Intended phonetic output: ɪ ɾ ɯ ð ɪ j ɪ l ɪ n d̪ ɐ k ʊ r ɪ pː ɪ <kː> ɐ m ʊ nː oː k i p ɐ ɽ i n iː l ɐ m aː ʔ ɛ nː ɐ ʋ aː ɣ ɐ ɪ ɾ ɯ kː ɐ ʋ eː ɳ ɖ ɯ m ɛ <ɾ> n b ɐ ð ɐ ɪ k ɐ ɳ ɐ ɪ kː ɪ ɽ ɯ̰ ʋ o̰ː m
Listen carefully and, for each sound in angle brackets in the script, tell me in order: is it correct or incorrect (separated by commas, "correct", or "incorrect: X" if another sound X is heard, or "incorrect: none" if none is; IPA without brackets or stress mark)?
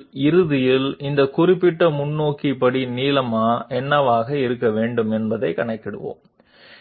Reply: incorrect: ʈː, incorrect: none